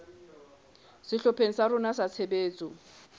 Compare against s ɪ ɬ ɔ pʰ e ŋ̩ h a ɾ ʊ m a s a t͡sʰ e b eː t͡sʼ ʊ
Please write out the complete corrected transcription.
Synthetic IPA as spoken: s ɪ ɬ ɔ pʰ e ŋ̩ s a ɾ ʊ n a s a t͡sʰ e b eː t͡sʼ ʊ